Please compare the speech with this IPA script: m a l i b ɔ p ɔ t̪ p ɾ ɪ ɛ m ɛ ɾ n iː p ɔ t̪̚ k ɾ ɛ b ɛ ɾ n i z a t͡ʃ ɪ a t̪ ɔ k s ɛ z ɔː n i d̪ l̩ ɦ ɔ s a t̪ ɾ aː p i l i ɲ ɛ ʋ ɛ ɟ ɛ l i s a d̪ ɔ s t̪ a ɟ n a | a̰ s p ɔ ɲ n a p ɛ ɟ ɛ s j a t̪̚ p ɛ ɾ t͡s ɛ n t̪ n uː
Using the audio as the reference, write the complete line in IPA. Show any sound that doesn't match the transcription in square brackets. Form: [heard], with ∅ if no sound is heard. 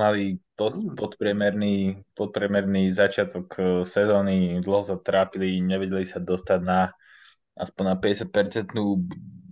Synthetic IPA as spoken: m a l i [p] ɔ p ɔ t̪ p ɾ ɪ ɛ m ɛ ɾ n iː p ɔ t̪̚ [p] ɾ ɛ [m] ɛ ɾ n i z a t͡ʃ ɪ a t̪ ɔ k s ɛ z ɔː n i d̪ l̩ ɦ ɔ s a t̪ ɾ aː p i l i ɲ ɛ ʋ ɛ ɟ ɛ l i s a d̪ ɔ s t̪ a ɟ n a | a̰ s p ɔ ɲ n a p ɛ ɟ ɛ s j a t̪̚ p ɛ ɾ t͡s ɛ n t̪ n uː